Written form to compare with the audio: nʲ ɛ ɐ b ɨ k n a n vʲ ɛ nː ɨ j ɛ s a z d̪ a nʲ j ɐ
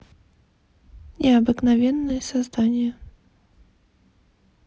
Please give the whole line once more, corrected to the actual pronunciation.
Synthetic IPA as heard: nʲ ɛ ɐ b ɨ k n a vʲ ɛ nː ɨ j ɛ s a z d̪ a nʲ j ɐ